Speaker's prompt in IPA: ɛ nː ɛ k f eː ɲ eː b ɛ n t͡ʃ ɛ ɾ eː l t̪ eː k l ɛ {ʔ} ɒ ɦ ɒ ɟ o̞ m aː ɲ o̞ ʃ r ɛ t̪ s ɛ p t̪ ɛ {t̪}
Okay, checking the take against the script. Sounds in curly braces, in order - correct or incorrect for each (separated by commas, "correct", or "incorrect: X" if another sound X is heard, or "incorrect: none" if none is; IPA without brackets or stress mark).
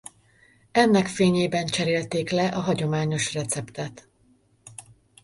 correct, correct